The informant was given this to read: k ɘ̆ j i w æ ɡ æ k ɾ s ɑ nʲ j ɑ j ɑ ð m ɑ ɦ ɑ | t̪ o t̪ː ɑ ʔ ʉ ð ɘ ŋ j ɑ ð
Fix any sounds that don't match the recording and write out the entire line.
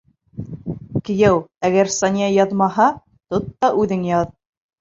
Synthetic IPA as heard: k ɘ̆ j æ w æ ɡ æ ɾ s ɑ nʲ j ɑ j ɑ ð m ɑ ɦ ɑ | t̪ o t̪ː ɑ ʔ ʉ ð ɘ ŋ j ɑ ð